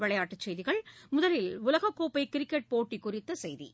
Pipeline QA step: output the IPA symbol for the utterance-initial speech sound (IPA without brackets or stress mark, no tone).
ʋ